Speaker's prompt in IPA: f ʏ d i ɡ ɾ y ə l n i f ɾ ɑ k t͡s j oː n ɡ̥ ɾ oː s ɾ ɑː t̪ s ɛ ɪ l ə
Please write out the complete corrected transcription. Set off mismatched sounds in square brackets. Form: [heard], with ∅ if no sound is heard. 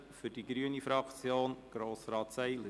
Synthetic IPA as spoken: f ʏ d i ɡ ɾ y ə [∅] n i f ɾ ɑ k t͡s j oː n ɡ̥ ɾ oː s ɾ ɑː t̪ s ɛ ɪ l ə

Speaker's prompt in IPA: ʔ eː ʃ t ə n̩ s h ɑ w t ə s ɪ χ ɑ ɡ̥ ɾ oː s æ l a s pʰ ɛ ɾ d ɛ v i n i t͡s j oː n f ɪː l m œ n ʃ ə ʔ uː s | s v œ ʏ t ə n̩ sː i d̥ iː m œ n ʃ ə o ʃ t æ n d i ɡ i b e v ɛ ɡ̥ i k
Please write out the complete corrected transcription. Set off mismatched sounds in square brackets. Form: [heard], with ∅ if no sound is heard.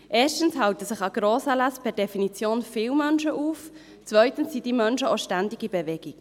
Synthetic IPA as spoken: ʔ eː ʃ t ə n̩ s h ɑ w t ə s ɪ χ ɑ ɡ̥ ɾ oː s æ l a s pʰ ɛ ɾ d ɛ [f] i n i t͡s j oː n f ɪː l m œ n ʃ ə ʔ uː [f] | [t͡s] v œ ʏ t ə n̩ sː i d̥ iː m œ n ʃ ə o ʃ t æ n d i ɡ i b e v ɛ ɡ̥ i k

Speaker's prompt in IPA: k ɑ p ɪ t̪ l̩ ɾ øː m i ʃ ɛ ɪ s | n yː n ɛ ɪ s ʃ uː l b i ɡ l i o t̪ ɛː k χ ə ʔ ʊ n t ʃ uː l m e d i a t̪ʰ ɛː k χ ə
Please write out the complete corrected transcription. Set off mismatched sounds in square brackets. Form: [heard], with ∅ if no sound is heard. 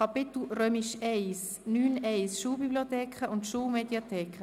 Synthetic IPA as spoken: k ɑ p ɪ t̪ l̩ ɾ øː m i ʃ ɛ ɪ s | n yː n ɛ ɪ s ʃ uː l b i [b] l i o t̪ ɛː k χ ə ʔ ʊ n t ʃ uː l m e d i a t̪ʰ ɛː k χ ə

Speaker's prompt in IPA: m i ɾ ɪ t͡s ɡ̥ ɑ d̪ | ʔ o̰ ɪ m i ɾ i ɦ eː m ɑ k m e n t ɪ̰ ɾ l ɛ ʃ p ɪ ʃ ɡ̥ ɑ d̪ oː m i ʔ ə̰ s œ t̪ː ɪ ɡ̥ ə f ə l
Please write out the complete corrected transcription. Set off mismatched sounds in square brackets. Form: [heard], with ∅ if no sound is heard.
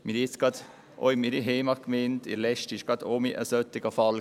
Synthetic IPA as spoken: m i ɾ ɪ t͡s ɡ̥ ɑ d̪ | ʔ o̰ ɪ m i ɾ i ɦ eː m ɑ k m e n t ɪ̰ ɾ l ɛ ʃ [t] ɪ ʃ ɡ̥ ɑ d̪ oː m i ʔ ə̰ s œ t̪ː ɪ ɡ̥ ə f [ɑ] l

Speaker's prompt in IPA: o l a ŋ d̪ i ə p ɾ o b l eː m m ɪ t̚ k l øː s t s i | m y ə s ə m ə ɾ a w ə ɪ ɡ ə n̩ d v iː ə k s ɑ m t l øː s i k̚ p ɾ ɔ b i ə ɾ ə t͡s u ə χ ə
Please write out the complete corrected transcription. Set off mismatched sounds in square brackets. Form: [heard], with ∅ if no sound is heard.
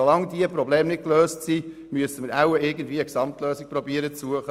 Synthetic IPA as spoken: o l [ɑ] ŋ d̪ i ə p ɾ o b l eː m [n] ɪ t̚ k l øː s t s i | m y ə s ə m ə ɾ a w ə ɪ ɡ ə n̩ d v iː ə k s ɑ m t l øː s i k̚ p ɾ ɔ b i ə ɾ ə t͡s u ə χ ə

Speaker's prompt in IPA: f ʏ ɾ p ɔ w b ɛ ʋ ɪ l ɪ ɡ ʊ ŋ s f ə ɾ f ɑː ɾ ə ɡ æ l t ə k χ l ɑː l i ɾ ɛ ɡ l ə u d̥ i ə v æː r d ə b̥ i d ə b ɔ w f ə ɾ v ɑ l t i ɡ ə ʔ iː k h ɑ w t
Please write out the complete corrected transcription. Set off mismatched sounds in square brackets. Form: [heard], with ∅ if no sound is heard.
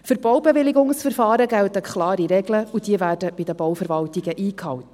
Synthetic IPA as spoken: f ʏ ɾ [b] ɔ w b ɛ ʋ ɪ l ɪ ɡ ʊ ŋ s f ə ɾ f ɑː ɾ ə ɡ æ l t ə k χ l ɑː [ɾ] i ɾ ɛ ɡ l ə u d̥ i ə v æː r d ə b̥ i d ə b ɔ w f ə ɾ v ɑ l t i ɡ ə ʔ iː k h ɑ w t

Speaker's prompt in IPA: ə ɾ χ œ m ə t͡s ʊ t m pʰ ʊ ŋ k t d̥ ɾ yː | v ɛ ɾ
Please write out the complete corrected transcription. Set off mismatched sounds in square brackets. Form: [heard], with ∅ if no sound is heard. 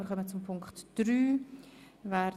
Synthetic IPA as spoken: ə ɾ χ œ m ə t͡s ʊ [∅] m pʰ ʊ ŋ k t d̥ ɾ yː | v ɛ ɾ

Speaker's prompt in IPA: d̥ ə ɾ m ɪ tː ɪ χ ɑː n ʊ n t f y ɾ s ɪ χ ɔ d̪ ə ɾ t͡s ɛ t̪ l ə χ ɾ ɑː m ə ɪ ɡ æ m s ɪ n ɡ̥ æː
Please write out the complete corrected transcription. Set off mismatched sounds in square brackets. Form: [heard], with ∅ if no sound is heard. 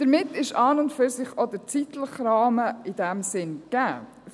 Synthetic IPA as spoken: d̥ ə ɾ m ɪ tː ɪ [ʃ] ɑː n ʊ n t f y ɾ s ɪ χ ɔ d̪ ə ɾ t͡s [i] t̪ l ə χ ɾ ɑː m ə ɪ [d] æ m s ɪ n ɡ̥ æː

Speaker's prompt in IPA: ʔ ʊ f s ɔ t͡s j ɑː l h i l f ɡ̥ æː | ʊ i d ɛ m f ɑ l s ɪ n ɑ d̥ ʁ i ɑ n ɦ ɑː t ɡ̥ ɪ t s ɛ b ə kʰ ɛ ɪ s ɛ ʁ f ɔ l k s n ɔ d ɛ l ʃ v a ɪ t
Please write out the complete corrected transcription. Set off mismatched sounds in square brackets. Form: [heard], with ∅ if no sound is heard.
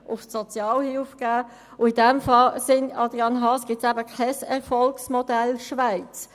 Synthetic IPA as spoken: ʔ ʊ f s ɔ t͡s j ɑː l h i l f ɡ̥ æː | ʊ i d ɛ m f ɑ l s ɪ n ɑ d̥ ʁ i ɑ n ɦ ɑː [s] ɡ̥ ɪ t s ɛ b ə kʰ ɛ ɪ s ɛ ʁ f ɔ l k s [m] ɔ d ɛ l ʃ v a ɪ [t͡s]

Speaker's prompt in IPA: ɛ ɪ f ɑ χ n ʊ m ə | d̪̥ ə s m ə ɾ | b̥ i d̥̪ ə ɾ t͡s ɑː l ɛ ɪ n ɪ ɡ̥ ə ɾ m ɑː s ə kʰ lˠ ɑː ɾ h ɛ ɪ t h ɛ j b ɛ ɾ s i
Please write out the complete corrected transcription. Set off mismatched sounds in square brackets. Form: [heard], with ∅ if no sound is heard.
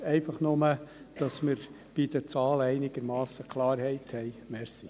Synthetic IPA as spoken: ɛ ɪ f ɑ χ n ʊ m ə | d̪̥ [ɑ] s m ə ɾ | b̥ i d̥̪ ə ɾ t͡s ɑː l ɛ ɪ n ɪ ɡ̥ ə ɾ m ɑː s ə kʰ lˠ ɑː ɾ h ɛ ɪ t h ɛ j [m] ɛ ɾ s i

